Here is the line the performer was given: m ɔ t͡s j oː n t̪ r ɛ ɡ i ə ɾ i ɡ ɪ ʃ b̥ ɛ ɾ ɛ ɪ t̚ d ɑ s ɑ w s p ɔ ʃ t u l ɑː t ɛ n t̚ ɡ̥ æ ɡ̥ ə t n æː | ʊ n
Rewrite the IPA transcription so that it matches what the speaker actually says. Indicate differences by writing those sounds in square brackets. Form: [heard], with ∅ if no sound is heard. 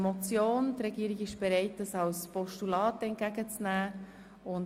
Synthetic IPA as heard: m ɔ t͡s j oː n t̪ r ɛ ɡ i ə ɾ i ɡ ɪ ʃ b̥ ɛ ɾ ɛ ɪ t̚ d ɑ s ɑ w s p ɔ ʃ t u l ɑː t ɛ n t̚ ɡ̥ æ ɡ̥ ə [t͡s] n æː | ʊ n